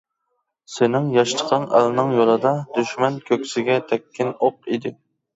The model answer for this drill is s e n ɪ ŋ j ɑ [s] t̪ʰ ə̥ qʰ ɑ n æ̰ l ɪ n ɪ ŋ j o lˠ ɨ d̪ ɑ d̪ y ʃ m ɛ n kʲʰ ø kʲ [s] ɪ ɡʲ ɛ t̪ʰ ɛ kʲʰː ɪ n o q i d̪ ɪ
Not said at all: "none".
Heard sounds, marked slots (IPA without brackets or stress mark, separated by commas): ʃ, s